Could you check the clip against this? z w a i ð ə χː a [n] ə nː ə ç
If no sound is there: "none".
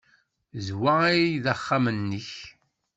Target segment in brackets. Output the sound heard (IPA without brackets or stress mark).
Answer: m